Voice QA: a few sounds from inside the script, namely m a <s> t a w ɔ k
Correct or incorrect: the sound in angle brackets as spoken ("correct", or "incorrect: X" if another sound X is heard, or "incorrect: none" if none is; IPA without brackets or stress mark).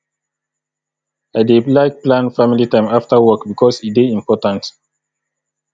incorrect: f